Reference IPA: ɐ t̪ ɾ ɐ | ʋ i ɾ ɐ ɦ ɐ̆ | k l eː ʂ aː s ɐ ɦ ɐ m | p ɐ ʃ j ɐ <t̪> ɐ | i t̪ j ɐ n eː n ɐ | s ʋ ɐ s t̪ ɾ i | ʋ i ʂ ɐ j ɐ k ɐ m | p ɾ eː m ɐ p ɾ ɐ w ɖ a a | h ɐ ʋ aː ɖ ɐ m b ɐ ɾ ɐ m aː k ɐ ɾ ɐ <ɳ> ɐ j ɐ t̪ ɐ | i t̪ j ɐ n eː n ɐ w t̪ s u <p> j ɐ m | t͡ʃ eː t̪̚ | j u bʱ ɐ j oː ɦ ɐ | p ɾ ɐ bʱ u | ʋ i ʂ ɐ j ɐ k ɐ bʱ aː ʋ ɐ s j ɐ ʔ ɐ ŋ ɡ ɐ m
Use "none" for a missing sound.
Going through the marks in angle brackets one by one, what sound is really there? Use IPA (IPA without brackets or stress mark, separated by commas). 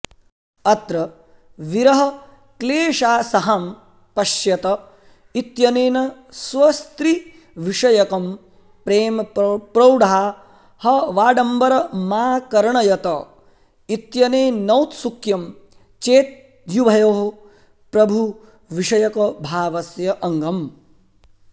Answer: t̪, ɳ, k